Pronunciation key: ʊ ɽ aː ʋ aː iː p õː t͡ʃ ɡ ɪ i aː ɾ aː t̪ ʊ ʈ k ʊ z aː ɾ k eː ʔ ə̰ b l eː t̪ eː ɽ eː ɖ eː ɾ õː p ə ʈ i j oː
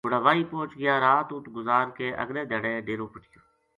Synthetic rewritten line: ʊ ɽ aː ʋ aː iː p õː t͡ʃ ɡ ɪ j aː ɾ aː t̪ ʊ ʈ ɡ ʊ z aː ɾ k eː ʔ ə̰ ɡ l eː d̪ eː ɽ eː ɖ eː ɾ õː p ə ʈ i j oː